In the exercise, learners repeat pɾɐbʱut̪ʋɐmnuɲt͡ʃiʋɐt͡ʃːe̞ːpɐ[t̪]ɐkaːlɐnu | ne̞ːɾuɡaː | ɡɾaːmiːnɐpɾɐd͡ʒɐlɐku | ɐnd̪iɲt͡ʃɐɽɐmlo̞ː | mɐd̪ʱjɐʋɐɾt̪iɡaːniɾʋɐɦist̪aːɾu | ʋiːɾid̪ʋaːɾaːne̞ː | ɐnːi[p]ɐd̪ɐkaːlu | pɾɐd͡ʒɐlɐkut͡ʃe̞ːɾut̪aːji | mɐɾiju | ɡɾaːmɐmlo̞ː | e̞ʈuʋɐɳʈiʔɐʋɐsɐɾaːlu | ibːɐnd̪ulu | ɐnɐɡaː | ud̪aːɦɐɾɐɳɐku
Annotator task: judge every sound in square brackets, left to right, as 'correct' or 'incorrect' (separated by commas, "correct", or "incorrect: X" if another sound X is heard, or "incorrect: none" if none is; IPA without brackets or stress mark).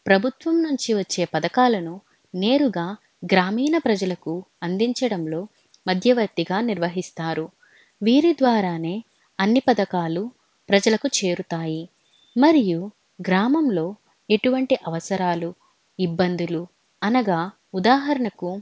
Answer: incorrect: d̪, correct